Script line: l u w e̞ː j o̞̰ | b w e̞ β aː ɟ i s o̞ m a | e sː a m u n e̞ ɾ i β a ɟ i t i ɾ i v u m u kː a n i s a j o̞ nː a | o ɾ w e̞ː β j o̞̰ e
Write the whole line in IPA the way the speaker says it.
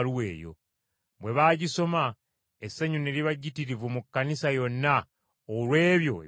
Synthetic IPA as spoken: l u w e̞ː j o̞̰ | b w e̞ β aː ɟ i s o̞ m a | e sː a ɲ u n e̞ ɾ i β a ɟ i t i ɾ i v u m u kː a n i s a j o̞ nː a | o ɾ w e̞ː β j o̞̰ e

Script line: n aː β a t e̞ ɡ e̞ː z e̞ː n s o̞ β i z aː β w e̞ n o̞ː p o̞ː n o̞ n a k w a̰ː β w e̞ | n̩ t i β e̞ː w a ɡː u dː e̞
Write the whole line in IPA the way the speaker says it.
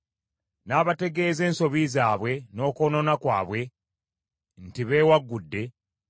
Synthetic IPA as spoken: n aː β a t e̞ ɡ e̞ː z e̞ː n s o̞ β i z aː β w e̞ n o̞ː k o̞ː n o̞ n a k w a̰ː β w e̞ | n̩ t i β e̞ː w a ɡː u dː e̞

